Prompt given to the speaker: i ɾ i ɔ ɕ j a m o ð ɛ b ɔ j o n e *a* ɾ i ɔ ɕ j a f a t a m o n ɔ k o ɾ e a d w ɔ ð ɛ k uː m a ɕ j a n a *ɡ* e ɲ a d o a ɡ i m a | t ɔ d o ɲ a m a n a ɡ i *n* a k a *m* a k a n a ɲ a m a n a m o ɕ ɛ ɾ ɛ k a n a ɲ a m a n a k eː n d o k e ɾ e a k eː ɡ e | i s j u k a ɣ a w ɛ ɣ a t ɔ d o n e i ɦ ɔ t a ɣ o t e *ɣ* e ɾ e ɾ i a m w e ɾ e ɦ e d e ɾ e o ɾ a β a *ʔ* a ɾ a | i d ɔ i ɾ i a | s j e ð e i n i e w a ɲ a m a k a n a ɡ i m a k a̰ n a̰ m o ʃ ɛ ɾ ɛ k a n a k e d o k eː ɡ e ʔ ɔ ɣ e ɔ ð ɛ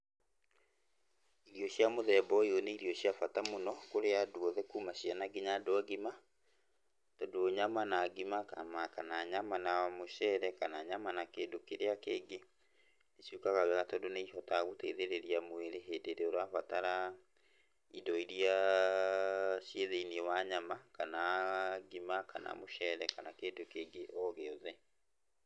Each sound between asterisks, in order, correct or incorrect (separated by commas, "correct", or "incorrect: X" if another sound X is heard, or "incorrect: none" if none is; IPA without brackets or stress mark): incorrect: i, correct, incorrect: m, correct, incorrect: ð, incorrect: t